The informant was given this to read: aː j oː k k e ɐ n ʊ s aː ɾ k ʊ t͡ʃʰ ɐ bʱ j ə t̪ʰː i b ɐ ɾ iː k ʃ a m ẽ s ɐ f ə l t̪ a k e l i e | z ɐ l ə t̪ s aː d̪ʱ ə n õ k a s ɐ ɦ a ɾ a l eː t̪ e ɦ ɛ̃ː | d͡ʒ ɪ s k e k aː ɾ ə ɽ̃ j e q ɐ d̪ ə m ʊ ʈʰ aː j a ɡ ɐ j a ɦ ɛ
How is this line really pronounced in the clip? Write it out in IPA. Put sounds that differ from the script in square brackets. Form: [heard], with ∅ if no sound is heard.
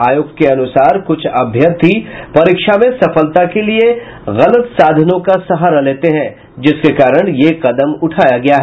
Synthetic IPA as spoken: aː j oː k k e ɐ n ʊ s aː ɾ k ʊ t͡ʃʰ ɐ bʱ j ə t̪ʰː i [p] ɐ ɾ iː k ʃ a m ẽ s ɐ f ə l t̪ a k e l i e | [ɣ] ɐ l ə t̪ s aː d̪ʱ ə n õ k a s ɐ ɦ a ɾ a l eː t̪ e ɦ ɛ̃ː | d͡ʒ ɪ s k e k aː ɾ ə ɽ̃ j e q ɐ d̪ ə m ʊ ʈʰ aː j a ɡ ɐ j a ɦ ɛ